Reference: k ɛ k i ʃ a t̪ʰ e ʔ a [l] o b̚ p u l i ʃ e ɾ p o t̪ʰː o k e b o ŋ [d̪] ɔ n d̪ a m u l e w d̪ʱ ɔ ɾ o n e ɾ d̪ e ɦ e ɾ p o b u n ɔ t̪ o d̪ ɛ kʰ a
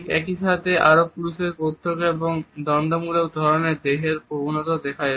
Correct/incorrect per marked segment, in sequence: incorrect, correct

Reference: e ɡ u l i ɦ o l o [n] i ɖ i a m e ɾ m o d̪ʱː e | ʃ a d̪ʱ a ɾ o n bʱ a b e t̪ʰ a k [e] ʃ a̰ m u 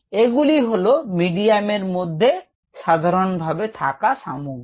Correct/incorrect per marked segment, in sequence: incorrect, incorrect

